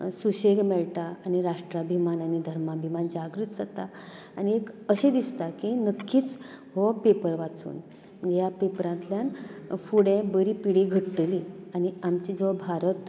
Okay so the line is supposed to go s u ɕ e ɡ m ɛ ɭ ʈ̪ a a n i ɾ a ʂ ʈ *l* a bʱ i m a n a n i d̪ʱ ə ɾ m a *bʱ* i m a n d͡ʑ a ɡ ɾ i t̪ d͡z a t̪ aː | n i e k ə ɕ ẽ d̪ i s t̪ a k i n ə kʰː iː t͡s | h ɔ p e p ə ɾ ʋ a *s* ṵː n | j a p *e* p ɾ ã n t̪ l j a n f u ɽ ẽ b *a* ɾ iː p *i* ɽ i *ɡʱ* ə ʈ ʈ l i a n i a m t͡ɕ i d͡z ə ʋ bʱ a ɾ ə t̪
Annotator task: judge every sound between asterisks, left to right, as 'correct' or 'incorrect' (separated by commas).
incorrect, correct, incorrect, correct, incorrect, correct, correct